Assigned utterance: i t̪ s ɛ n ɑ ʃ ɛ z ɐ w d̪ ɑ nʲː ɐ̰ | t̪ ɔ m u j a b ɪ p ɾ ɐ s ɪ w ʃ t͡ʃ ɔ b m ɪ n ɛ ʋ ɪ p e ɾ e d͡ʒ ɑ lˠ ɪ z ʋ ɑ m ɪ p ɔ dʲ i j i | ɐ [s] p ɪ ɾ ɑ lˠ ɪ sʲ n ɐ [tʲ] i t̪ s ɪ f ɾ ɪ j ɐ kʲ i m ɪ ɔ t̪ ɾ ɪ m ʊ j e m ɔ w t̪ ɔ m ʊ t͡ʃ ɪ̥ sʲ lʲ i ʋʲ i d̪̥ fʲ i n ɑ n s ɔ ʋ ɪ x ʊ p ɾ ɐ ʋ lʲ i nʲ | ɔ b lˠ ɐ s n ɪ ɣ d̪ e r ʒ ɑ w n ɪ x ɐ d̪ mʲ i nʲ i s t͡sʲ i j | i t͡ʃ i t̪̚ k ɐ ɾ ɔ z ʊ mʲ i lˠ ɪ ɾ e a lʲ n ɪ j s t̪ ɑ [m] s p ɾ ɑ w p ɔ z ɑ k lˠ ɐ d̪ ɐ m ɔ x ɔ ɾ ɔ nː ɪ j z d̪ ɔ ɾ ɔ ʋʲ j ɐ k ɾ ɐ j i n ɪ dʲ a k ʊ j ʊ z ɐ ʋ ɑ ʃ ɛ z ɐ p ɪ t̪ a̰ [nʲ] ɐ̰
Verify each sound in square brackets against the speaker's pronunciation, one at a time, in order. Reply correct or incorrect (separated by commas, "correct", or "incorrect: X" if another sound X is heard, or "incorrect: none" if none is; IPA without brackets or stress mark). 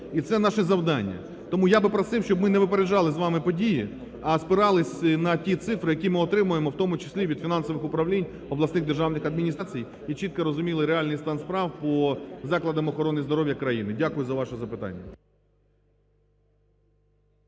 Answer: correct, correct, incorrect: n, incorrect: nʲː